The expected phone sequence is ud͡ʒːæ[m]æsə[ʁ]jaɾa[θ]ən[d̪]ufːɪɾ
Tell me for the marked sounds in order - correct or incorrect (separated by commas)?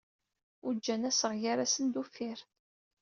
incorrect, correct, incorrect, correct